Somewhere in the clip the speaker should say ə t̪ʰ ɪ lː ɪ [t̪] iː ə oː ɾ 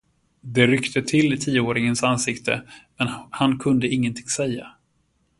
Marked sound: incorrect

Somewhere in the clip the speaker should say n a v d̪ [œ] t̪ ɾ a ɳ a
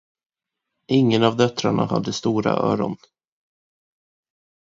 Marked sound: correct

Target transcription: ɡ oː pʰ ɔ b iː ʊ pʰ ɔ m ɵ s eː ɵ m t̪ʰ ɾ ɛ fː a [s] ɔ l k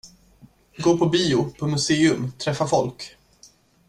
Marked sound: incorrect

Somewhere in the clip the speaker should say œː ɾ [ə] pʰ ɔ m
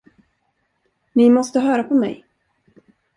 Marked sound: incorrect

